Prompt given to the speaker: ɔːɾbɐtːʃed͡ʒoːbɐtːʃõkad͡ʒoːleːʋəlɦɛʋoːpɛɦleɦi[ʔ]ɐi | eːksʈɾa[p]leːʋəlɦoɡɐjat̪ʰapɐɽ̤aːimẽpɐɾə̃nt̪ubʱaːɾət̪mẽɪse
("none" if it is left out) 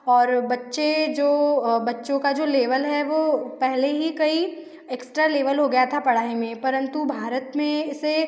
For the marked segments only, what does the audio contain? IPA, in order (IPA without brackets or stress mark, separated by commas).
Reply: k, none